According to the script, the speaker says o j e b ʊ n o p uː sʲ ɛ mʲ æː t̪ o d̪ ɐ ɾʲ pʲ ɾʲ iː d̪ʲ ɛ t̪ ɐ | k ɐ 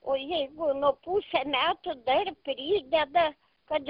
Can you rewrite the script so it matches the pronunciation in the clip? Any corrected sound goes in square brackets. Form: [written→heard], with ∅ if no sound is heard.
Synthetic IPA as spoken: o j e [b→ɡ] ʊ n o p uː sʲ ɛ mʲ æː t̪ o d̪ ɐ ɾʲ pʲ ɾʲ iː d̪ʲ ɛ [t̪→d̪] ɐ | k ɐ